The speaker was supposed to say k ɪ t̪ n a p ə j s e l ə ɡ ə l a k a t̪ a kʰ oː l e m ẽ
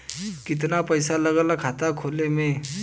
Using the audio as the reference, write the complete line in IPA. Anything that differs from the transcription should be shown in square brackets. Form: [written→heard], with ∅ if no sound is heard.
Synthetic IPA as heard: k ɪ t̪ n a p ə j s [e→a] l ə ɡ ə l a [k→kʰ] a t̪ a kʰ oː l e m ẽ

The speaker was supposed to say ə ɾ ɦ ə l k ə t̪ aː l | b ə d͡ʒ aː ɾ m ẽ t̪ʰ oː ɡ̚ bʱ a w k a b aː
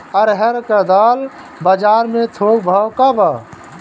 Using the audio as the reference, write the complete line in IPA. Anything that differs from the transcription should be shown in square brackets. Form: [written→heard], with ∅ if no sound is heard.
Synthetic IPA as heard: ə ɾ ɦ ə [l→ɾ] k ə [t̪→d̪] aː l | b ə d͡ʒ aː ɾ m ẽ t̪ʰ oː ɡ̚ bʱ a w k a b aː

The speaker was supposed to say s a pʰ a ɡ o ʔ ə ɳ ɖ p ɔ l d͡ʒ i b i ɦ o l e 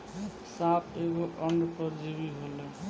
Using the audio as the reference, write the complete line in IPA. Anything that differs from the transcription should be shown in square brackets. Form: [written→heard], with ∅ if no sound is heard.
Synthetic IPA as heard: s a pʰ [a→e] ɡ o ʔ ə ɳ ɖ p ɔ [l→ɾ] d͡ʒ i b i ɦ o l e

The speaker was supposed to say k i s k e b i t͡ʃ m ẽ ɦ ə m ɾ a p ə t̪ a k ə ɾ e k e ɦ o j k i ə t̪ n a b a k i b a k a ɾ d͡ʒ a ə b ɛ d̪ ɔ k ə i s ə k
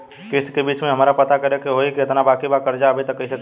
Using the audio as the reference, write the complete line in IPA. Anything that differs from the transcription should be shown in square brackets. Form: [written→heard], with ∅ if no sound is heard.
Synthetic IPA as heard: k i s k e b i t͡ʃ m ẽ ɦ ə m ɾ a p ə t̪ a k ə ɾ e k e ɦ o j k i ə t̪ n a b a k i b a k [a→ə] ɾ d͡ʒ a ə b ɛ [d̪→t̪] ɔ k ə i s ə k

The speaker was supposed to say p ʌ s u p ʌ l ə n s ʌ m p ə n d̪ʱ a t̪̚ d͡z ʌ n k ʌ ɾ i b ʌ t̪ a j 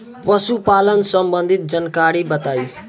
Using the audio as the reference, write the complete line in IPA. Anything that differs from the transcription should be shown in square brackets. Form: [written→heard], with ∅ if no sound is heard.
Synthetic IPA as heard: p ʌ s u p [ʌ→a] l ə n s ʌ m [p→b] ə n d̪ʱ [a→i] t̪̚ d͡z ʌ n k [ʌ→a] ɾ i b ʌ t̪ a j

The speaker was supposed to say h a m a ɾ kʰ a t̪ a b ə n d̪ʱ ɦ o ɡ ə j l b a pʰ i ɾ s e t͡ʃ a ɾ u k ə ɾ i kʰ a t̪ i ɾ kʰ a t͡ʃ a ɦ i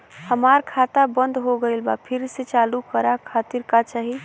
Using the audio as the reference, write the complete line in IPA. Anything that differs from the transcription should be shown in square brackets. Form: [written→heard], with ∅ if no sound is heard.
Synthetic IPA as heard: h [a→ə] m a ɾ kʰ a t̪ a b ə n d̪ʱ ɦ o ɡ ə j l b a pʰ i ɾ s e t͡ʃ a [ɾ→l] u k ə ɾ [i→a] kʰ a t̪ i ɾ [kʰ→k] a t͡ʃ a ɦ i

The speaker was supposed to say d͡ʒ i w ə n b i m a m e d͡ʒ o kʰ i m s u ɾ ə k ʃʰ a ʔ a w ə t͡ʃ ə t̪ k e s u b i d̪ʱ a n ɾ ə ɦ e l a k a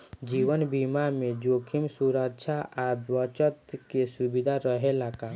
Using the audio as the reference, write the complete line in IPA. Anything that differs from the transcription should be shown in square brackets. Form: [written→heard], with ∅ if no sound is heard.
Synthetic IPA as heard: d͡ʒ i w ə n b i m a m e d͡ʒ o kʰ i m s u ɾ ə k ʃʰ a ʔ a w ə t͡ʃ ə t̪ k e s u b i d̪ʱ a [n→∅] ɾ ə ɦ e l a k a

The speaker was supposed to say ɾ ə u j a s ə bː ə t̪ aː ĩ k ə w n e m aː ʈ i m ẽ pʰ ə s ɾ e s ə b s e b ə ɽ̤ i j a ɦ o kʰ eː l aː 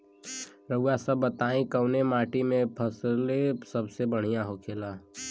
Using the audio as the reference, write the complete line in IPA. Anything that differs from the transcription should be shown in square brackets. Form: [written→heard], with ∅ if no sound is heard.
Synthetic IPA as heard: ɾ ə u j a s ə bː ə t̪ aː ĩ k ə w n e m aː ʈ i m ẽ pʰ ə s [ɾ→l] e s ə b s e b ə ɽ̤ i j a ɦ o kʰ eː l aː

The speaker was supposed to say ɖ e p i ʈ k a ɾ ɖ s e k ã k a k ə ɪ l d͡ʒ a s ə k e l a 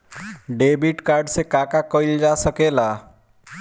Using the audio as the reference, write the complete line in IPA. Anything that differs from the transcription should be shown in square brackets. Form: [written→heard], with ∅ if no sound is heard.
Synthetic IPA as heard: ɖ e [p→b] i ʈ k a ɾ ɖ s e k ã k a k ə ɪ l d͡ʒ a s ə k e l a

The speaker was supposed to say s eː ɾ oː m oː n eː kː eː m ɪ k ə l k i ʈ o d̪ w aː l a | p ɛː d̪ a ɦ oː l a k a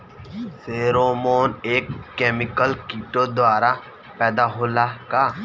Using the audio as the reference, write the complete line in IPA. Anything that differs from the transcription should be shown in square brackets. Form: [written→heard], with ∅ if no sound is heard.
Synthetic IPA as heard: s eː ɾ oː m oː n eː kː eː m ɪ k ə l k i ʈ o d̪ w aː [l→ɾ] a | p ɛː d̪ a ɦ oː l a k a

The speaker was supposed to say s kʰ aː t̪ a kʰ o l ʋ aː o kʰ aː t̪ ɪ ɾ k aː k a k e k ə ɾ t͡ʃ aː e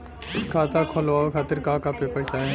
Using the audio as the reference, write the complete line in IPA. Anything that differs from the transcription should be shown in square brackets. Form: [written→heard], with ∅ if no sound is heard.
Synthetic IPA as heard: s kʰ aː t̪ a kʰ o l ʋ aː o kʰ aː t̪ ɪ ɾ k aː k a [k→p] e [k→p] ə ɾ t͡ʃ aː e

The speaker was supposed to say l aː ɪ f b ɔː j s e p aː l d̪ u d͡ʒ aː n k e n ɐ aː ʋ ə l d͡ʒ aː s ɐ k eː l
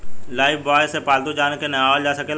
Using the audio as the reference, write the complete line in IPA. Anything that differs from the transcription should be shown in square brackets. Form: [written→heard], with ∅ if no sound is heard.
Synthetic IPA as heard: l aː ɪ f b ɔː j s e p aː l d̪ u d͡ʒ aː n k e n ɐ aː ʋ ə l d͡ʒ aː s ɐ k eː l

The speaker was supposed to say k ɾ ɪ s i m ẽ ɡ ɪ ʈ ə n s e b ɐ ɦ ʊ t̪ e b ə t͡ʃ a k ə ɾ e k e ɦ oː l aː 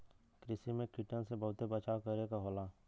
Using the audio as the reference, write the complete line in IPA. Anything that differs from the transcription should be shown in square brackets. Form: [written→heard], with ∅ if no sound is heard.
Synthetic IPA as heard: k ɾ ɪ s i m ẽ [ɡ→k] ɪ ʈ ə n s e b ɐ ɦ ʊ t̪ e b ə t͡ʃ a k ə ɾ e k [e→a] ɦ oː l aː

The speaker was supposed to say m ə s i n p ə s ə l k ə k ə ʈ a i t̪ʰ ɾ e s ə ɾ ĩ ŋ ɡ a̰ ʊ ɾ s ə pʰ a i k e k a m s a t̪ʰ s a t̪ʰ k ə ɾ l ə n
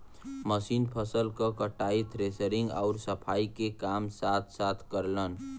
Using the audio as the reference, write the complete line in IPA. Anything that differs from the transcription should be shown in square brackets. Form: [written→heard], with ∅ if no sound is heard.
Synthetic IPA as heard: m ə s i n [p→pʰ] ə s ə l k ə k ə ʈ a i t̪ʰ ɾ e s ə ɾ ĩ ŋ ɡ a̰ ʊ ɾ s ə pʰ a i k e k a m s a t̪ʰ s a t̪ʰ k ə ɾ l ə n

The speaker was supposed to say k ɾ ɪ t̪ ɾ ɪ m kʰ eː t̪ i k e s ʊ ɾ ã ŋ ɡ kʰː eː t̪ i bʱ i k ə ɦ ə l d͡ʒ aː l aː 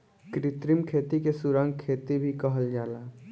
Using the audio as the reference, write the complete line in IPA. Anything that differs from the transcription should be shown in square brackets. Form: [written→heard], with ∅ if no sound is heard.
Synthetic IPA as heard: k ɾ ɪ t̪ ɾ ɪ m kʰ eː t̪ i k e s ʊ ɾ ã ŋ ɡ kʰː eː t̪ i bʱ i k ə ɦ ə l d͡ʒ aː l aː

